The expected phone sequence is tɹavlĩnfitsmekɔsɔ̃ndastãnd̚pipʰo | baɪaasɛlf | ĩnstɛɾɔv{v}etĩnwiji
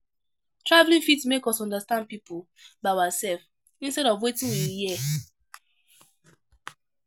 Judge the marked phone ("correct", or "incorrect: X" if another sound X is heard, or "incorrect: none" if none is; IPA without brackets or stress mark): incorrect: w